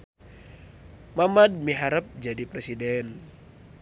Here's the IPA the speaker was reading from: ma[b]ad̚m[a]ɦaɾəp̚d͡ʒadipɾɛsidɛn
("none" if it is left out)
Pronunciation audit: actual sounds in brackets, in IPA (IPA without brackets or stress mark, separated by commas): m, i